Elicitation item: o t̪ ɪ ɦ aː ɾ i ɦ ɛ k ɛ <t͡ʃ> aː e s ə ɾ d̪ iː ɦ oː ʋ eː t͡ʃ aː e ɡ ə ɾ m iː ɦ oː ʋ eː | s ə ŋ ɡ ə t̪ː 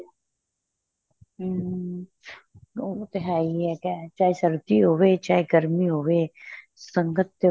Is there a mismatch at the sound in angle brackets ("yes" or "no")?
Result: no